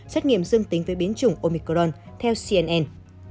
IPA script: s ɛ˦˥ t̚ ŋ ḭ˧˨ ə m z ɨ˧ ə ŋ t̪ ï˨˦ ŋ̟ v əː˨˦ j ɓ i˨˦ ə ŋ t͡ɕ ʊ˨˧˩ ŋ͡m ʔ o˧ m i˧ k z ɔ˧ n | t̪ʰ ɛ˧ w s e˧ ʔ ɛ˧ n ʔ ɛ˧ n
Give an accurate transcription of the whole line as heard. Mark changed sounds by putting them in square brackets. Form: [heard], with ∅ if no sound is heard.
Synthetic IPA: s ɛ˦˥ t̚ ŋ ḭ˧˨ ə m z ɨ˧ ə ŋ t̪ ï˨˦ ŋ̟ v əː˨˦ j ɓ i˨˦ ə [n] t͡ɕ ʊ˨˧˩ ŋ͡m ʔ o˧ m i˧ k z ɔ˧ n | t̪ʰ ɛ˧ w s [i˧] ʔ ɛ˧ n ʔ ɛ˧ n